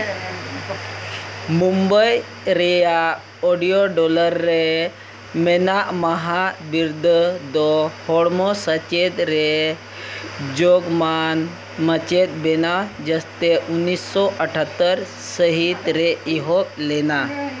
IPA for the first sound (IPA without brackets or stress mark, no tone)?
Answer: m